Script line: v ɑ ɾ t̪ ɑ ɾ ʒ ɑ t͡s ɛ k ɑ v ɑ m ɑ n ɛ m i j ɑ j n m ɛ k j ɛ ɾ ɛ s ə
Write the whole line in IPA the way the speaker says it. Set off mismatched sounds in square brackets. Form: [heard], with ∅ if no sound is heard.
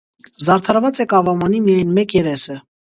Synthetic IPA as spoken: [z] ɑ ɾ [t̪ʰ] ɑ ɾ [v] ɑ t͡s ɛ k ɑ v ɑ m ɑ n [i] m i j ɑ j n m ɛ k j ɛ ɾ ɛ s ə